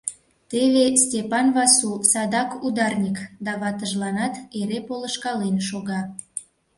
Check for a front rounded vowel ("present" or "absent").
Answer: absent